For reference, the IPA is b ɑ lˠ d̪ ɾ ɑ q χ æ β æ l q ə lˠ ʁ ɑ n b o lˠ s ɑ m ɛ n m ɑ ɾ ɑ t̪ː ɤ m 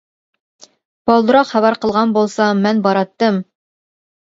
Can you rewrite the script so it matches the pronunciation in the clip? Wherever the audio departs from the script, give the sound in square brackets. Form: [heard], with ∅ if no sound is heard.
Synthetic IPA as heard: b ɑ lˠ d̪ ɾ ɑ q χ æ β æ [ɾ] q ə lˠ ʁ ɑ n b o lˠ s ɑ m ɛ n [b] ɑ ɾ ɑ t̪ː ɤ m